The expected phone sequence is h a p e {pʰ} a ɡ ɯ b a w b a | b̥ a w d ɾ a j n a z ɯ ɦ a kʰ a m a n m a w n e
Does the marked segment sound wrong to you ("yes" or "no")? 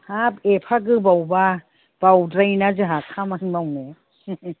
no